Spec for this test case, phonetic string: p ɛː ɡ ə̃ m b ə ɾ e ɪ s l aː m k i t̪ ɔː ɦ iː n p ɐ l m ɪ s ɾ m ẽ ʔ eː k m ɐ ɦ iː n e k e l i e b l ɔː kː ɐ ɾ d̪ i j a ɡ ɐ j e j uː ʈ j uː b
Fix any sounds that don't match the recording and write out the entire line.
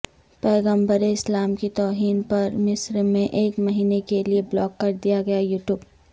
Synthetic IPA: p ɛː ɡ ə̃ m b ə ɾ e ɪ s l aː m k i t̪ ɔː ɦ iː n p ɐ ɾ m ɪ s ɾ m ẽ ʔ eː k m ɐ ɦ iː n e k e l i e b l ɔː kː ɐ ɾ d̪ i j a ɡ ɐ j a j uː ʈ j uː b